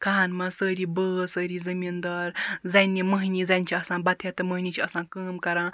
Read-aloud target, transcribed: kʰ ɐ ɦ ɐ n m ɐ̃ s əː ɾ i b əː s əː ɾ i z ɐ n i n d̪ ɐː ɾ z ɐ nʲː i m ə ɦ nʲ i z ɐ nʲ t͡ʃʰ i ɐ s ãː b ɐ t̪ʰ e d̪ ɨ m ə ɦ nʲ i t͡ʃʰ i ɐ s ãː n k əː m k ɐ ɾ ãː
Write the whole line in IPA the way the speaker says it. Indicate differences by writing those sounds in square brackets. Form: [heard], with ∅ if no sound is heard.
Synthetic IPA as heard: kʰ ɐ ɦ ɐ n m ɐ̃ s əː ɾ i b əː s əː ɾ i z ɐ [m] i n d̪ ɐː ɾ z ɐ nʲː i m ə ɦ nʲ i z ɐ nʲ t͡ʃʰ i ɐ s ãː b ɐ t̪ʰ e [t̪] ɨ m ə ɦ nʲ i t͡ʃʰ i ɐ s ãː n k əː m k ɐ ɾ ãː